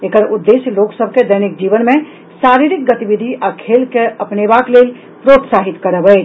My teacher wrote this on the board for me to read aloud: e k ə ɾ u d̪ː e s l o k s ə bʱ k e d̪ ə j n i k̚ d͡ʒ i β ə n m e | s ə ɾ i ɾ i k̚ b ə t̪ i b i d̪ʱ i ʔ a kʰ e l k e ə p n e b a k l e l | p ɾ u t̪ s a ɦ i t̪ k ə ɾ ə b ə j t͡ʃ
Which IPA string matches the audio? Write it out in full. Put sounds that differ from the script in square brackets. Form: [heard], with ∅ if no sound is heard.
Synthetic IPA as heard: e k ə ɾ u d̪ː e s l o k s ə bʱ k e d̪ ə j n i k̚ d͡ʒ i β ə n m e | s [a] ɾ i ɾ i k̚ [ɡ] ə t̪ i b i d̪ʱ i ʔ a kʰ e l k e ə p n e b a k l e l | p ɾ [o] t̪ s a ɦ i t̪ k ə ɾ ə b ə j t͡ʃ